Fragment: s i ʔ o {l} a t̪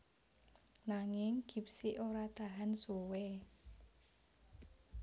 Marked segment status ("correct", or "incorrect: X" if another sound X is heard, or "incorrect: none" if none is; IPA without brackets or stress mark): incorrect: ɾ